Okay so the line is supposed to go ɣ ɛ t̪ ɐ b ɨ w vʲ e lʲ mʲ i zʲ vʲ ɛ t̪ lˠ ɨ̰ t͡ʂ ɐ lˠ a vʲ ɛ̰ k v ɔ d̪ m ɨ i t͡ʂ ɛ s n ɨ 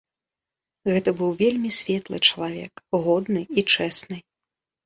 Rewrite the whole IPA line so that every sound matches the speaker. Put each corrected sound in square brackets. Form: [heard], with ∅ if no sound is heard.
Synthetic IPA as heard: ɣ ɛ t̪ ɐ b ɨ w vʲ e lʲ mʲ i [sʲ] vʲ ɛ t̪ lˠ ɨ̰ t͡ʂ ɐ lˠ a vʲ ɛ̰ k [ɣ] ɔ d̪ [n] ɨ i t͡ʂ ɛ s n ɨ